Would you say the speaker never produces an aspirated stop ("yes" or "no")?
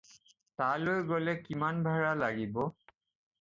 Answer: yes